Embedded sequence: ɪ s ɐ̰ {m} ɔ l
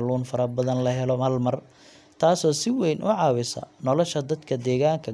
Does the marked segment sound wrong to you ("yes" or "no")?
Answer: yes